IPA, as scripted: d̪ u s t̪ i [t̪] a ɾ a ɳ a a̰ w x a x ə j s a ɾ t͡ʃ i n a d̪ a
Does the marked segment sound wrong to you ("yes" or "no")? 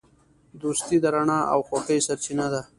yes